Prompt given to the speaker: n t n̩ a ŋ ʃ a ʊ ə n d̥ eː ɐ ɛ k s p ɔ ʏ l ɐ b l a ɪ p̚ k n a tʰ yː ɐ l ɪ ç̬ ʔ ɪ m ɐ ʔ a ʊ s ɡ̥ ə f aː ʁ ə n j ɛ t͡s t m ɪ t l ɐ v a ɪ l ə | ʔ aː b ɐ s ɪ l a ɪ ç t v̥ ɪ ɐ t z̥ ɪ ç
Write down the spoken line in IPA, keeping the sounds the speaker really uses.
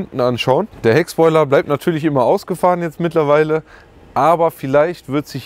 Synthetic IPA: n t n̩ a n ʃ a ʊ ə n d̥ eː ɐ ɛ k s p ɔ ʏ l ɐ b l a ɪ p̚ t n a tʰ yː ɐ l ɪ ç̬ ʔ ɪ m ɐ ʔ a ʊ s ɡ̥ ə f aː ʁ ə n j ɛ t͡s t m ɪ t l ɐ v a ɪ l ə | ʔ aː b ɐ f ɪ l a ɪ ç t v̥ ɪ ɐ t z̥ ɪ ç